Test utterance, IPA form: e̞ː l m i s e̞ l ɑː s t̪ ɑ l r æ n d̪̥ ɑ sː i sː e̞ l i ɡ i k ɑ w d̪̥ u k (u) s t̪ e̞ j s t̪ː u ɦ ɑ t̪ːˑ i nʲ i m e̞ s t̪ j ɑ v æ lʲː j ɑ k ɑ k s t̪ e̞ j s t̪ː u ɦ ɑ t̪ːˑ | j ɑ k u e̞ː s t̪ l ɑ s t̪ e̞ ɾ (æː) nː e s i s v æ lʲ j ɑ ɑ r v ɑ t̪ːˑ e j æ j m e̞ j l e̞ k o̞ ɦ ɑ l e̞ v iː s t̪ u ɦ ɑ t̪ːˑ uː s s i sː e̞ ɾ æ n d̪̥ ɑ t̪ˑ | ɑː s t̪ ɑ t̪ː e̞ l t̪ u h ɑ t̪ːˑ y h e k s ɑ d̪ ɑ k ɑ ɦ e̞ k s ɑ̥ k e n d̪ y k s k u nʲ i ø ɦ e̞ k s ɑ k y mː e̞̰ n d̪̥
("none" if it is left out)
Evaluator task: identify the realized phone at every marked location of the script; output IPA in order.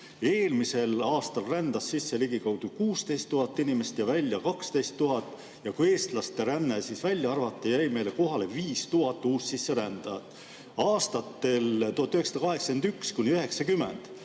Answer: uː, æ

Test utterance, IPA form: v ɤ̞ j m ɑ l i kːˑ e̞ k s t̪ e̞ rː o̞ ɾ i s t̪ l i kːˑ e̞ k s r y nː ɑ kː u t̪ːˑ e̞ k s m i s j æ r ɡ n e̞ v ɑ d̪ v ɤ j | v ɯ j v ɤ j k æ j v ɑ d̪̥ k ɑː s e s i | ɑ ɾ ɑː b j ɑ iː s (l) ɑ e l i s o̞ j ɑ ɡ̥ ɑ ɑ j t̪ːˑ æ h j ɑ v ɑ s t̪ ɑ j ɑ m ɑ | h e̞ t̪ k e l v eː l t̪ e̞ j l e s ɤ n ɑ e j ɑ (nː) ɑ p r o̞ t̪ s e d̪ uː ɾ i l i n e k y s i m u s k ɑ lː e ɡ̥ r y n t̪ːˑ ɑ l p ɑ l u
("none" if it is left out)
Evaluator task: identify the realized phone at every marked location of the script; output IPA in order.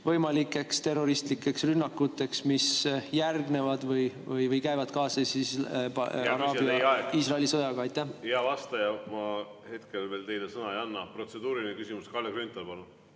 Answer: r, nː

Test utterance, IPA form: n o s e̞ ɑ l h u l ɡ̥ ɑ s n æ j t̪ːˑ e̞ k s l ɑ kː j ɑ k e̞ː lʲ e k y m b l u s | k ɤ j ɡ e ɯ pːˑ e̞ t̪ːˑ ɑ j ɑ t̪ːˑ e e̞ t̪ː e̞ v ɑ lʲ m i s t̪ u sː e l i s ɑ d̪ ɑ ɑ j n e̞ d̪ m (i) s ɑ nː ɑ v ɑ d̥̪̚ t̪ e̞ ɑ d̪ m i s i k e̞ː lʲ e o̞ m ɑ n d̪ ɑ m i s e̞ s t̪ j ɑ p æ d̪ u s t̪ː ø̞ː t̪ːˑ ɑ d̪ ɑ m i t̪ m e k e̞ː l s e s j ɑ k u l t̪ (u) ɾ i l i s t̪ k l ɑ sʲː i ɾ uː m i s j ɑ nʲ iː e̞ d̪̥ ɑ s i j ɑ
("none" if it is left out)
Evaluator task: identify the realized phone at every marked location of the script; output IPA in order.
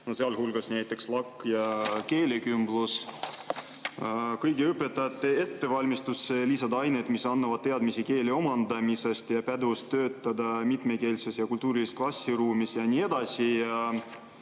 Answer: i, uː

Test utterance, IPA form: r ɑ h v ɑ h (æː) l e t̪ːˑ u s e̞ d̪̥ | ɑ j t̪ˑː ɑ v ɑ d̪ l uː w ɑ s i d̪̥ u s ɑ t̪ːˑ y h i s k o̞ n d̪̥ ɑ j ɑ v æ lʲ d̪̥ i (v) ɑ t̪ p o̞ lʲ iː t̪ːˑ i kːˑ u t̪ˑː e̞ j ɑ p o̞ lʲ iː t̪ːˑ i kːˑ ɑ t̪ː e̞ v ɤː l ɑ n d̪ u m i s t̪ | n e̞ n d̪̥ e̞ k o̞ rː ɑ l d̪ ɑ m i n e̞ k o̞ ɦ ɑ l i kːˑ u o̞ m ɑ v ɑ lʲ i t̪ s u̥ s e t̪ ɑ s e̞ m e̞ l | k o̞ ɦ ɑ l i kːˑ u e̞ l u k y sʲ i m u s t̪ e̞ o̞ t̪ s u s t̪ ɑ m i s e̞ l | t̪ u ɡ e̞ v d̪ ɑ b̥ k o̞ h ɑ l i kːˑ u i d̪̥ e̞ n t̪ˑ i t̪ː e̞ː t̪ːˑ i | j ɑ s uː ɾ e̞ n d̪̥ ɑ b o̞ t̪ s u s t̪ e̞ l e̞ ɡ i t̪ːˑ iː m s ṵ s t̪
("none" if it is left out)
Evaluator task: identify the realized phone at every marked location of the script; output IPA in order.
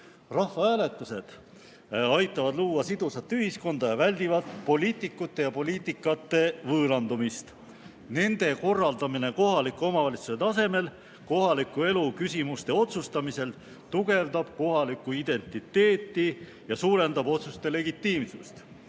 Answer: æː, v

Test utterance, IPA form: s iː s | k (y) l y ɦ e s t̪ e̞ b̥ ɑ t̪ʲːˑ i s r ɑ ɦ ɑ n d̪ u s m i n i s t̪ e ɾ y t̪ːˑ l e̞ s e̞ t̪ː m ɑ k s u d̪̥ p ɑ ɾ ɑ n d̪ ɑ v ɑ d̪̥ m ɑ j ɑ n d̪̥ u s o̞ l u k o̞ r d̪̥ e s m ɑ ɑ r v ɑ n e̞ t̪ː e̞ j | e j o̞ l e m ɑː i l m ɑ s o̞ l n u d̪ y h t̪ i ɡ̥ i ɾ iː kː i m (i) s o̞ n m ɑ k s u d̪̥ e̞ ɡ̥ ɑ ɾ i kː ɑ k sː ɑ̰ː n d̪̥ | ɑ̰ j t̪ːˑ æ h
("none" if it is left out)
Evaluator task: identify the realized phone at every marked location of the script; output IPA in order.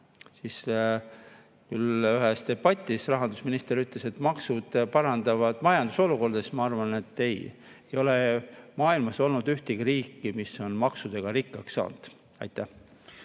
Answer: y, i

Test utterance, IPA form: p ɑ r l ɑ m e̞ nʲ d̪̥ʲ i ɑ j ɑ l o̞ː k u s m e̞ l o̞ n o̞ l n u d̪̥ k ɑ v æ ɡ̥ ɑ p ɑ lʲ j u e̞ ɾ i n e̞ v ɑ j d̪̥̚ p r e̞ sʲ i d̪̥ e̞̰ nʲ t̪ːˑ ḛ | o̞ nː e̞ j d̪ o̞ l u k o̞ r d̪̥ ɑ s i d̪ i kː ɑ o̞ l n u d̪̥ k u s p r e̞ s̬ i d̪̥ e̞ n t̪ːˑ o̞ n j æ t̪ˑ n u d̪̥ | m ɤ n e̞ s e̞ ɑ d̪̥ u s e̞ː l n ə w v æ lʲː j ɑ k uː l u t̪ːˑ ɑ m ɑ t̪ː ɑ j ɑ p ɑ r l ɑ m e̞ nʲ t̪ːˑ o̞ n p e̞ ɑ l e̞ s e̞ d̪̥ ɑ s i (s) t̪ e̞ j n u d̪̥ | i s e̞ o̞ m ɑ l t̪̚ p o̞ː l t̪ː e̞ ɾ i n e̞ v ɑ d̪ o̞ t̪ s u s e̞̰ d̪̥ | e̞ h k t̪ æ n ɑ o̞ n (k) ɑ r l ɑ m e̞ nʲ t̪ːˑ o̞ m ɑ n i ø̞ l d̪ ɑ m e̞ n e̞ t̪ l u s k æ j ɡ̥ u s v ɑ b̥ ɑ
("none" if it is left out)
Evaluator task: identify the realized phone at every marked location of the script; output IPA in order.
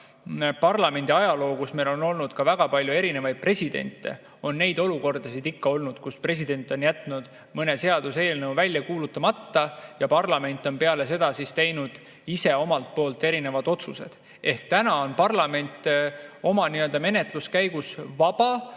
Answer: s, p

